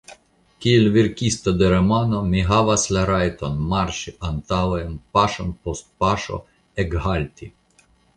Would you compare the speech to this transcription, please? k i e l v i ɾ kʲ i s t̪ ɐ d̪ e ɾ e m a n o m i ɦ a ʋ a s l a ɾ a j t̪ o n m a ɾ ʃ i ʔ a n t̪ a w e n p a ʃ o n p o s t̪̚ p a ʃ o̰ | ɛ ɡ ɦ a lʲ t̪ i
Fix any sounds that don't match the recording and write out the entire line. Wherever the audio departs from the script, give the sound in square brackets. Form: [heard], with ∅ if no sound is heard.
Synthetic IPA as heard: k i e l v i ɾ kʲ i s t̪ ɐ d̪ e ɾ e m a n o m i ɦ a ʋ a s l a ɾ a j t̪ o n m a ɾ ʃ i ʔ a n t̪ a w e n p a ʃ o n p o s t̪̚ p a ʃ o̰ | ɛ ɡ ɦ a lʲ t̪ i